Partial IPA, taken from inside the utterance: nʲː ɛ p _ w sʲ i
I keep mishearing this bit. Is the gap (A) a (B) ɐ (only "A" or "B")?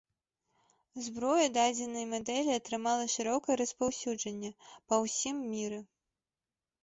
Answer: B